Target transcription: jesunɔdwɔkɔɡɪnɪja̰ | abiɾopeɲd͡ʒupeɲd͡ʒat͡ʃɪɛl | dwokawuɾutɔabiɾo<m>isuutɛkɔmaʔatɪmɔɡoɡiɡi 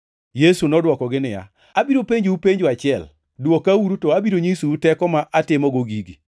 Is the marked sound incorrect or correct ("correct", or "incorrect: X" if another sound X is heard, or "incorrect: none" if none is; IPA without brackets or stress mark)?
incorrect: ɲ